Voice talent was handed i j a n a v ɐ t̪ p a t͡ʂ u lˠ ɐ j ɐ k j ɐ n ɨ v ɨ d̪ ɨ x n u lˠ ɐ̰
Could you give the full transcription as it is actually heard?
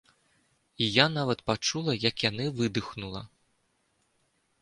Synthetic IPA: i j a n a v ɐ t̪ p a t͡ʂ u lˠ ɐ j ɐ k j a n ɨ v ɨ d̪ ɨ x n u lˠ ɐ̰